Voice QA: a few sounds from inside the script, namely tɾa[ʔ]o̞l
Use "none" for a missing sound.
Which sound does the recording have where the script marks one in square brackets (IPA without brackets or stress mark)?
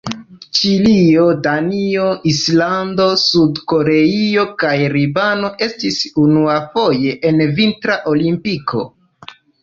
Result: ʔ